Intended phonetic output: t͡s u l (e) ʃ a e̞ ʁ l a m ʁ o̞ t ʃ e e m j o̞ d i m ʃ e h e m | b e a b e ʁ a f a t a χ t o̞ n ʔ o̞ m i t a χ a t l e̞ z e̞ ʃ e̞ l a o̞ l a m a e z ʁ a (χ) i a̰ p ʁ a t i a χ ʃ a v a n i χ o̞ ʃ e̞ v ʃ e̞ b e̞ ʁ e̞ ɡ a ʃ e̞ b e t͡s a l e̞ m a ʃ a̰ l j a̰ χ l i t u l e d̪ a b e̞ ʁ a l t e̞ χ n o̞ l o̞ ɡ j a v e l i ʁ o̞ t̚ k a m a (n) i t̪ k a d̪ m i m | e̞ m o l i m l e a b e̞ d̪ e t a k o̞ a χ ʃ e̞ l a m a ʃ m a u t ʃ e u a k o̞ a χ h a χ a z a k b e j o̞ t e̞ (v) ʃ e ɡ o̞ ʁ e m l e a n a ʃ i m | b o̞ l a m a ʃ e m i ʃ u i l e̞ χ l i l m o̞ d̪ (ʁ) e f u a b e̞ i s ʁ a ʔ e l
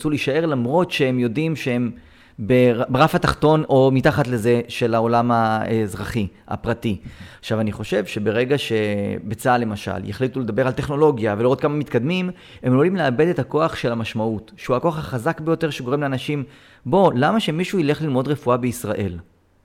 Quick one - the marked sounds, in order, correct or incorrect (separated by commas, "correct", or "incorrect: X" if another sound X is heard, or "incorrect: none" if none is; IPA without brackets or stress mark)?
incorrect: i, correct, incorrect: m, incorrect: ʁ, correct